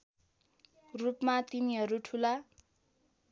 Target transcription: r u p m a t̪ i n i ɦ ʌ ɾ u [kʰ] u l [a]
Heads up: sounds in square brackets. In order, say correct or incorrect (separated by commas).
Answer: incorrect, correct